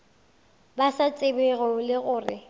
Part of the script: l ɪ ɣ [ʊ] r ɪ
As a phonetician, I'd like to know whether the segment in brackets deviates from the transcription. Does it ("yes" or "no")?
yes